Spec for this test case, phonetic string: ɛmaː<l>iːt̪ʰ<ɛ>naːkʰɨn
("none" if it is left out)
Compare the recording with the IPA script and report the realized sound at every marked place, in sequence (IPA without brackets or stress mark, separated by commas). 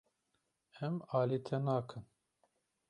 l, ɛ